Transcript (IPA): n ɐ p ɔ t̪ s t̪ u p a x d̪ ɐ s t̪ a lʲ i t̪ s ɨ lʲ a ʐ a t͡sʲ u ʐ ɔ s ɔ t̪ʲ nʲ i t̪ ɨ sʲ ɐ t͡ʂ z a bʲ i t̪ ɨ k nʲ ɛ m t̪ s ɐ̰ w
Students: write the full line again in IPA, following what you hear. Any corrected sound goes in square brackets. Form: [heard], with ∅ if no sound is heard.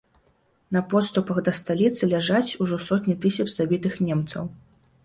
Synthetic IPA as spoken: n ɐ p ɔ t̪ s t̪ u p [ɐ] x d̪ ɐ s t̪ a lʲ i t̪ s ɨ lʲ a ʐ a t͡sʲ u ʐ ɔ s ɔ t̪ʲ nʲ i t̪ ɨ sʲ ɐ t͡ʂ z a bʲ i t̪ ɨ [x] nʲ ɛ m t̪ s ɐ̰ w

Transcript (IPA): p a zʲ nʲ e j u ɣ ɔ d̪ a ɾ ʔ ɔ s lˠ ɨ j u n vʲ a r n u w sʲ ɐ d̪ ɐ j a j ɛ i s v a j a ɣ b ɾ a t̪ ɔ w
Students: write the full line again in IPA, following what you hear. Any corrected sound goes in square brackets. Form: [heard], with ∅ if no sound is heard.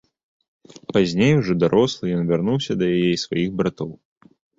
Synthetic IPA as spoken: p a zʲ nʲ e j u [ʐ] ɔ d̪ a ɾ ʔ ɔ s lˠ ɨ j [ɔ] n vʲ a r n u w sʲ ɐ d̪ ɐ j a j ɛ i s v a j [i] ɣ b ɾ a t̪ ɔ w

